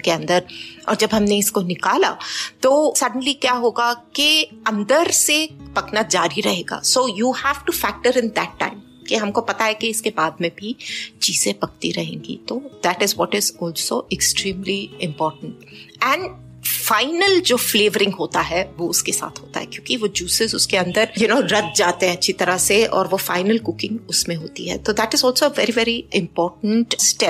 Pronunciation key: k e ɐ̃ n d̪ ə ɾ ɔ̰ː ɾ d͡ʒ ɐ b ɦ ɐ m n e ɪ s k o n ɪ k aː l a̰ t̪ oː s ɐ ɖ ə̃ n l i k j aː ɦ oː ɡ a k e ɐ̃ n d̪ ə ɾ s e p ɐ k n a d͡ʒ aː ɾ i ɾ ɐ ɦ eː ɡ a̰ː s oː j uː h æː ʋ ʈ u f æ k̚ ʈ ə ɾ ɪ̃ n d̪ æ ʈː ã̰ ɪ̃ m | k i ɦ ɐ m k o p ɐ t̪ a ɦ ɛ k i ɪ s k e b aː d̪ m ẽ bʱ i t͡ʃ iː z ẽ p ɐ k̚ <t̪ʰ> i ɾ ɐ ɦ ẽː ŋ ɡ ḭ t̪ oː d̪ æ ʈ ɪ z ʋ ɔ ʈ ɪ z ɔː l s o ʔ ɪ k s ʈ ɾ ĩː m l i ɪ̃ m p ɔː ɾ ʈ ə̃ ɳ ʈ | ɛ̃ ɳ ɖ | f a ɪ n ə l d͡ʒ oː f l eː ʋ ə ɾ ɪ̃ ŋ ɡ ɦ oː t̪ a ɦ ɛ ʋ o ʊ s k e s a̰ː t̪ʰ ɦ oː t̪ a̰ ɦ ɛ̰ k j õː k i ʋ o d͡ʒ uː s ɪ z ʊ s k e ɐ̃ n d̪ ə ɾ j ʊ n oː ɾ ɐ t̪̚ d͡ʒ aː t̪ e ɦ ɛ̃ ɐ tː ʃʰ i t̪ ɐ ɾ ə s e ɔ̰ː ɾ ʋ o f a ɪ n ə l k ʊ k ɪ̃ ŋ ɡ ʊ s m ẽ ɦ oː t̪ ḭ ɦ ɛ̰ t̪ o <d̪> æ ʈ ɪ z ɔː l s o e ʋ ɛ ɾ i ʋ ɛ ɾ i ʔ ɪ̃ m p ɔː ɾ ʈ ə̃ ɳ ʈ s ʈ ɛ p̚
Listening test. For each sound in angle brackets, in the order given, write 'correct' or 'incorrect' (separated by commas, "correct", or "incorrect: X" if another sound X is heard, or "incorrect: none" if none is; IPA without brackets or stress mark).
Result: incorrect: t̪, correct